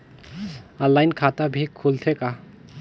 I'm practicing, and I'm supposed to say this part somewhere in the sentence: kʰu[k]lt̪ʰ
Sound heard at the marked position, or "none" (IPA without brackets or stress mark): none